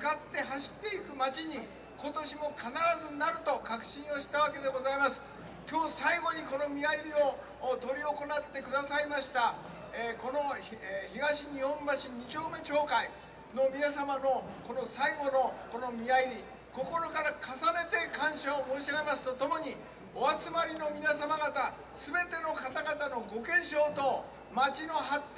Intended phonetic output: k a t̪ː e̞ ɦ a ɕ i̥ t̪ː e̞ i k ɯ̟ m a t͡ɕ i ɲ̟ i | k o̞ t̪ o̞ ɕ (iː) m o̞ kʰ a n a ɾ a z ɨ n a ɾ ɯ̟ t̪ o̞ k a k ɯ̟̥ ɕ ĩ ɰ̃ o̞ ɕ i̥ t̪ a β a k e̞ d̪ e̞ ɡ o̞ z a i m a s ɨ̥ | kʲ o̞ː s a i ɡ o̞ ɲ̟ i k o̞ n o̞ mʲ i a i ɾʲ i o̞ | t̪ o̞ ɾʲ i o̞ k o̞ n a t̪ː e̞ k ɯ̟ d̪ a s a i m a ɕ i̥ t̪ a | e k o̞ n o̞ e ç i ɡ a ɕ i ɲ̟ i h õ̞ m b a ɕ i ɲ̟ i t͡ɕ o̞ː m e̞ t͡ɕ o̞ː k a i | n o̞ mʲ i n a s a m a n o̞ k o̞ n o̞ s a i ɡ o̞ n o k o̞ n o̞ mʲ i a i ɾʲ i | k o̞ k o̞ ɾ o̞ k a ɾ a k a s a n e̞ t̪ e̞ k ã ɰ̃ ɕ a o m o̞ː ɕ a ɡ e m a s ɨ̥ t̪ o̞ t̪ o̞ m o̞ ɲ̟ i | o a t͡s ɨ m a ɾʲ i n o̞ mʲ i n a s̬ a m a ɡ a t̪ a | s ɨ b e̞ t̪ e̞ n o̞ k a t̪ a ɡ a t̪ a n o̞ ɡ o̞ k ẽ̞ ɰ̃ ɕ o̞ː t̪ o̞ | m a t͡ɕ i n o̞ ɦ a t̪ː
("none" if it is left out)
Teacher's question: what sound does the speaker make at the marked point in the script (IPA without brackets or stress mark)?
i